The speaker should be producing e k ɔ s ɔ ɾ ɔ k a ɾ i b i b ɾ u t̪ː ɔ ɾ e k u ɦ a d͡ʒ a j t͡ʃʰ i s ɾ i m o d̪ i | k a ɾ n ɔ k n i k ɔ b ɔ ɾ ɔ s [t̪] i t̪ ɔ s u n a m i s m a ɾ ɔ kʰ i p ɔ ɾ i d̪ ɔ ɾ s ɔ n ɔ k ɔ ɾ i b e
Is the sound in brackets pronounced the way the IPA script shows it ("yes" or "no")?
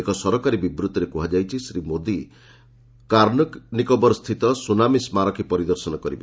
no